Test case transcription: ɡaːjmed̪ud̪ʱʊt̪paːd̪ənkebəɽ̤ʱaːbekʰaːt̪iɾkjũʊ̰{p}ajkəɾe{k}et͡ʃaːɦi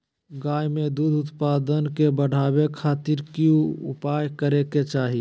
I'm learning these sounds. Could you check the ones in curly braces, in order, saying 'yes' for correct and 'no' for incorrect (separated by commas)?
yes, yes